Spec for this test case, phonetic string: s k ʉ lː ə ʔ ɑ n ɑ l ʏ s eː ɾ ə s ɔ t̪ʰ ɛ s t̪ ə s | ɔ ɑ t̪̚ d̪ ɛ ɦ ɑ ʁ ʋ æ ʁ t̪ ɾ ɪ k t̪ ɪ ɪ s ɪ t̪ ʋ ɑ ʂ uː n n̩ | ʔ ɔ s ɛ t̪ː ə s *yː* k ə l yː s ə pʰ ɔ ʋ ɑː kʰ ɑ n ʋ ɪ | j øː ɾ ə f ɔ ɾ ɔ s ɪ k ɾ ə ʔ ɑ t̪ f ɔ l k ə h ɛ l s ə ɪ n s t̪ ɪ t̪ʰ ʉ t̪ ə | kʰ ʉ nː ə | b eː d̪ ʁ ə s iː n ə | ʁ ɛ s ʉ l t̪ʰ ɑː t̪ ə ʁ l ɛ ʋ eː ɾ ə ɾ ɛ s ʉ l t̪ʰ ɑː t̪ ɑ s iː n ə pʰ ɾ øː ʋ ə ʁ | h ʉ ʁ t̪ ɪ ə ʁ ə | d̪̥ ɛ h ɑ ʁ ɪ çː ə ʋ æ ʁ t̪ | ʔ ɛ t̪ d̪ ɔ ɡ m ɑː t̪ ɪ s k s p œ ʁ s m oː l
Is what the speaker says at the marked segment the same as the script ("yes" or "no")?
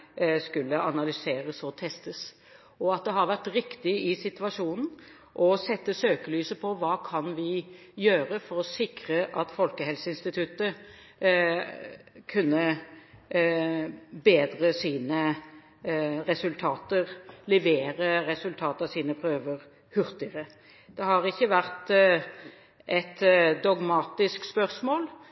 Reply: no